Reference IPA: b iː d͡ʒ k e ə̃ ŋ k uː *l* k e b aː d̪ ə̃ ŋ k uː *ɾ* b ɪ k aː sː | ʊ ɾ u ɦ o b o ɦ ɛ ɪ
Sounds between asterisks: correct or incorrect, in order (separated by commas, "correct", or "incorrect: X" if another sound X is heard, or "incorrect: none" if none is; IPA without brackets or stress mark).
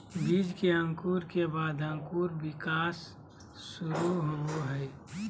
incorrect: ɾ, correct